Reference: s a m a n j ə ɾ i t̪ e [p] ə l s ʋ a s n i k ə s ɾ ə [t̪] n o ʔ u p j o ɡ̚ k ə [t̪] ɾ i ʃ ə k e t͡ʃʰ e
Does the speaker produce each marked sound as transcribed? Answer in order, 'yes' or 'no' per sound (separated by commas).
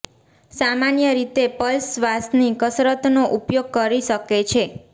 yes, yes, no